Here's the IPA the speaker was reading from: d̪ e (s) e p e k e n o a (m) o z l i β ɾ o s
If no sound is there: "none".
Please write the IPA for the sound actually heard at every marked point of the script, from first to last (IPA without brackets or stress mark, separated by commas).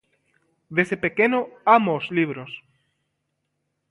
s, m